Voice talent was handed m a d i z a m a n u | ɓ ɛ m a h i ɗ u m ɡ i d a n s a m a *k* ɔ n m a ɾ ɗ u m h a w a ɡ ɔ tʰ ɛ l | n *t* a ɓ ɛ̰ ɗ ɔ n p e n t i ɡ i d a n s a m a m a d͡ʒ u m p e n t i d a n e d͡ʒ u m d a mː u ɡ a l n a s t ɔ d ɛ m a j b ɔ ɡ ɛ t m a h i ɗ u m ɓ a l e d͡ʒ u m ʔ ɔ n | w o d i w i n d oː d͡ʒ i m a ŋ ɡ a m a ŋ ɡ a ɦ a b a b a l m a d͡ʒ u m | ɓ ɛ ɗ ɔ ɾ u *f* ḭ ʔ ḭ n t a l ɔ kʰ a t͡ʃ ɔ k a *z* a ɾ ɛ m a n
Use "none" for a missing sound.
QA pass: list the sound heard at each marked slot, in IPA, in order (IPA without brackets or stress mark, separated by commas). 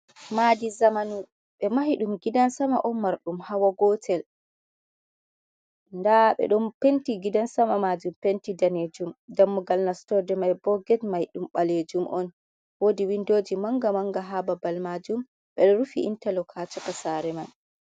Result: ʔ, d, f, s